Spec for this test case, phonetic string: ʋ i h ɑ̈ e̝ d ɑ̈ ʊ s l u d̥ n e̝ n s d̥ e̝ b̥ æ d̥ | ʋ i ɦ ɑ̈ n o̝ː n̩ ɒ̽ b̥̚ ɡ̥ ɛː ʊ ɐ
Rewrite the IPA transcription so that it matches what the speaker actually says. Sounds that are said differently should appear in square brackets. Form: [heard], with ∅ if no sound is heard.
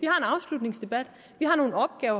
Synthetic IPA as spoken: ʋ i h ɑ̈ e̝ [n] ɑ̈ ʊ s l u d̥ n e̝ [ŋ] s d̥ e̝ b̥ æ d̥ | ʋ i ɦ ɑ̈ n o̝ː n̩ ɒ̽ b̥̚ ɡ̥ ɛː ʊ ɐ